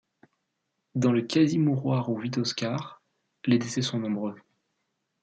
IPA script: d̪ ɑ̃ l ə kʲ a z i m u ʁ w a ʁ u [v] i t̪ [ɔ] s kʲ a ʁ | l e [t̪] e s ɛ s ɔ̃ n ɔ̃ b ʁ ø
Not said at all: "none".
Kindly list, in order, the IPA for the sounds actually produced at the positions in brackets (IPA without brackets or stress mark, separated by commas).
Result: v, ɔ, d̪